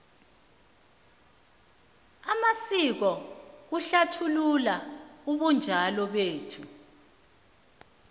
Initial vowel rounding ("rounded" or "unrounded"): unrounded